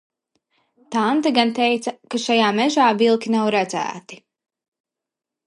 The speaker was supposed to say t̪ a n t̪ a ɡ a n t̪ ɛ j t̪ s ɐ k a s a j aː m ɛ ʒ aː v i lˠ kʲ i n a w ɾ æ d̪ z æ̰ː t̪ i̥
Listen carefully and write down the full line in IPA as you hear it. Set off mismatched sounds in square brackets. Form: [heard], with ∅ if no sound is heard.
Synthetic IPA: t̪ a n t̪ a ɡ a n t̪ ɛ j t̪ s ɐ k a [ʃ] a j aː m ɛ ʒ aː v i lˠ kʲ i n a w ɾ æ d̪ z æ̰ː t̪ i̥